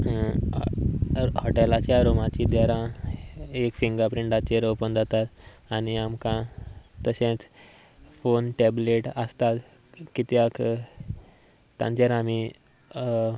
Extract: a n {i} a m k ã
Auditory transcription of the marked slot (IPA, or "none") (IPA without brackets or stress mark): i